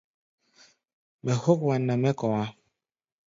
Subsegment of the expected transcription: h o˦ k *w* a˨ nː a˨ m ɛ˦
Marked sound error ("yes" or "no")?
no